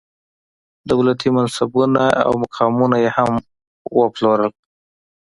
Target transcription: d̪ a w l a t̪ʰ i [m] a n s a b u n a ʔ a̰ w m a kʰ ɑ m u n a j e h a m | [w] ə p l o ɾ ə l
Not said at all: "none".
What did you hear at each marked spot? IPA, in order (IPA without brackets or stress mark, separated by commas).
m, w